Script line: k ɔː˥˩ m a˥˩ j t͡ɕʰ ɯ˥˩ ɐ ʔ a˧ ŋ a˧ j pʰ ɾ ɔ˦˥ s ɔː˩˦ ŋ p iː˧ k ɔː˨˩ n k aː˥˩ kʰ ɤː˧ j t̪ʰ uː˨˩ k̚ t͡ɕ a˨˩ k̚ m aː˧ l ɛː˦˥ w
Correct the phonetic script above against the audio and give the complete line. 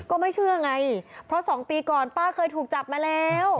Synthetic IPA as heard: k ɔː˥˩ m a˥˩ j t͡ɕʰ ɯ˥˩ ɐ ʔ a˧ ŋ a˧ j pʰ ɾ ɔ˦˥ s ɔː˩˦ ŋ p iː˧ k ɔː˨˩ n p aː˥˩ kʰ ɤː˧ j t̪ʰ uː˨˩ k̚ t͡ɕ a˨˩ p̚ m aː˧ l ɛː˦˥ w